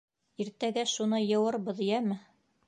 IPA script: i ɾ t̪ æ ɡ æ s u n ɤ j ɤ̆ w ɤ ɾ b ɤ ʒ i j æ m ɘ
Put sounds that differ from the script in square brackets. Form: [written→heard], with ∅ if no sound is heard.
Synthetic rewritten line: i ɾ t̪ æ ɡ æ [s→ʃ] u n ɤ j ɤ̆ w ɤ ɾ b ɤ [ʒ→ð] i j æ m ɘ

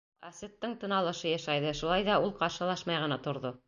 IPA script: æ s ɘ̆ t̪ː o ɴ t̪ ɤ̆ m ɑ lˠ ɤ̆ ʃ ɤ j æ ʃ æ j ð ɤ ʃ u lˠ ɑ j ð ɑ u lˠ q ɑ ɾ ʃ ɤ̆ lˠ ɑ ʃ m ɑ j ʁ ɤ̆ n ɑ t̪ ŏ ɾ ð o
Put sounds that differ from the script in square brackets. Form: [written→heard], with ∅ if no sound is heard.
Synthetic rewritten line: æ s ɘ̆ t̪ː [o→ɤ] ɴ t̪ ɤ̆ [m→n] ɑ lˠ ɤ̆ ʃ ɤ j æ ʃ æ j ð ɤ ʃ u lˠ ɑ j ð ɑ u lˠ q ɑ ɾ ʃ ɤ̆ lˠ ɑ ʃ m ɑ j ʁ ɤ̆ n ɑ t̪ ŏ ɾ ð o

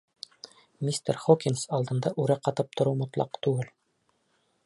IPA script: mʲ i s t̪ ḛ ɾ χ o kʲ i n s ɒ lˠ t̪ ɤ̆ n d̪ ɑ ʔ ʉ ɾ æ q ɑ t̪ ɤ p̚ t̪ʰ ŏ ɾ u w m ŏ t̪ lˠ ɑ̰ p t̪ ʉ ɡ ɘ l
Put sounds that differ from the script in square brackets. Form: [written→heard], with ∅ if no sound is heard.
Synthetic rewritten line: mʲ i s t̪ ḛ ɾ χ o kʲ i n s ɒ lˠ [t̪→d̪] ɤ̆ n d̪ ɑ ʔ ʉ ɾ æ q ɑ t̪ ɤ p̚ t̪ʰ ŏ ɾ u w m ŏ t̪ lˠ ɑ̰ [p→q] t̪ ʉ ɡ ɘ l

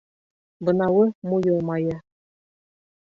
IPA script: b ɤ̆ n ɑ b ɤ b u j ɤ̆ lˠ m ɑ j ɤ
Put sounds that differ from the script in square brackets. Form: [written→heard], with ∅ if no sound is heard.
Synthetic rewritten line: b ɤ̆ n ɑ [b→w] ɤ [b→m] u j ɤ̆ lˠ m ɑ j ɤ

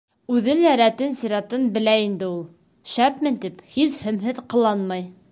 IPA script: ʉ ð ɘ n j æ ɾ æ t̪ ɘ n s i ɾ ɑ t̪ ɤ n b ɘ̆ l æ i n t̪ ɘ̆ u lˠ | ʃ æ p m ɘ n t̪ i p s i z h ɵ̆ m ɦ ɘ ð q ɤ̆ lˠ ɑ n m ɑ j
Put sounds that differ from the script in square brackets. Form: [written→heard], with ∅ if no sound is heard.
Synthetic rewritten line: ʉ ð ɘ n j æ ɾ æ t̪ ɘ n s i ɾ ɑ t̪ ɤ n b ɘ̆ l æ i n [t̪→d̪] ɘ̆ u lˠ | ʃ æ p m ɘ n t̪ i p [s→h] i z h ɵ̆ m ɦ ɘ ð q ɤ̆ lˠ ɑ n m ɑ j

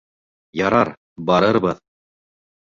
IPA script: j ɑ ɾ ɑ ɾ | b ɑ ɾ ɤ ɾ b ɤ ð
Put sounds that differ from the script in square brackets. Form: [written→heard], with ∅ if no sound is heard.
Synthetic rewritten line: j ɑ ɾ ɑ ɾ | b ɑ ɾ ɤ ɾ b ɤ ð

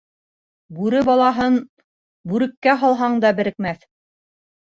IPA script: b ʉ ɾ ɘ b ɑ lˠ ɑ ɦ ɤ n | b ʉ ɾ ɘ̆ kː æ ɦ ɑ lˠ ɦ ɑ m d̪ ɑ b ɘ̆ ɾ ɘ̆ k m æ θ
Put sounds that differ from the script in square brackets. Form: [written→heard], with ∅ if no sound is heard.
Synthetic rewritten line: b ʉ ɾ ɘ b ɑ lˠ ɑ ɦ ɤ n | b ʉ ɾ ɘ̆ kː æ ɦ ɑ lˠ ɦ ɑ [m→ɴ] d̪ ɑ b ɘ̆ ɾ ɘ̆ k m æ θ

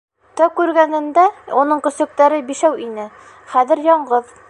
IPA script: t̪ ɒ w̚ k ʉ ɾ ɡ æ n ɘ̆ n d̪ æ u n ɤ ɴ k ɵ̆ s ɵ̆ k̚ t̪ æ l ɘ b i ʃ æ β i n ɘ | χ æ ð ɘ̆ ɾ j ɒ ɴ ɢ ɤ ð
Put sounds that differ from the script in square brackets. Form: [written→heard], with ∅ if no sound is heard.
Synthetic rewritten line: t̪ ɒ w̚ k ʉ ɾ ɡ æ n ɘ̆ n d̪ æ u n ɤ ɴ k ɵ̆ s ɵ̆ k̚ t̪ æ [l→ɾ] ɘ b i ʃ æ [β→w] i n ɘ | χ æ ð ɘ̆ ɾ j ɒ ɴ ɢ ɤ ð

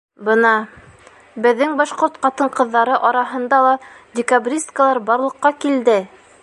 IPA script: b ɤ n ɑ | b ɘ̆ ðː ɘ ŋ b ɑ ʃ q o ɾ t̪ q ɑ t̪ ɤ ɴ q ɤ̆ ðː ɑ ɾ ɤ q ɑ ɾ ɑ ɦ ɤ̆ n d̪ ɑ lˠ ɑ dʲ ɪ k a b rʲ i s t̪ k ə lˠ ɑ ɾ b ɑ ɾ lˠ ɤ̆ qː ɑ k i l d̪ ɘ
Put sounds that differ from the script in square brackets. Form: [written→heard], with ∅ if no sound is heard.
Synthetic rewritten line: b ɤ n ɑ | b ɘ̆ ðː ɘ ŋ b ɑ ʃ q o ɾ t̪ q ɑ t̪ ɤ ɴ q ɤ̆ ðː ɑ ɾ ɤ [q→ʔ] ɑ ɾ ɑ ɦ ɤ̆ n d̪ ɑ lˠ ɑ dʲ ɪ k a b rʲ i s t̪ k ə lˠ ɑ ɾ b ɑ ɾ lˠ ɤ̆ qː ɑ k i l d̪ ɘ

